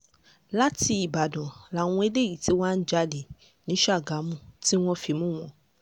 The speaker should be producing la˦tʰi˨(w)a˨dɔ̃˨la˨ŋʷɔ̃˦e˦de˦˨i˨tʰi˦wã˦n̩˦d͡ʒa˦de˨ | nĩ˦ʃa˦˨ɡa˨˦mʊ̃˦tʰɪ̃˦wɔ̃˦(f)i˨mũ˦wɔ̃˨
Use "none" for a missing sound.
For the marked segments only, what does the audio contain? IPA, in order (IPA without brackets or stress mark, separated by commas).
b, f